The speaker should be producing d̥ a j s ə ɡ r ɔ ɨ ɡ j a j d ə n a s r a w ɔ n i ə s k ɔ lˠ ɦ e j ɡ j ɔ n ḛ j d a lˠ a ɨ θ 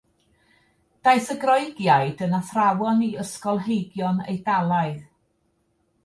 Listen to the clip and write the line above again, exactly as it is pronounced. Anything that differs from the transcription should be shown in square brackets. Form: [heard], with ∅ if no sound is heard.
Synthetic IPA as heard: d̥ a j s ə ɡ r ɔ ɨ ɡ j a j d ə n a [θ] r a w ɔ n i ə s k ɔ lˠ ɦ e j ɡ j ɔ n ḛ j d a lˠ a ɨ [ð]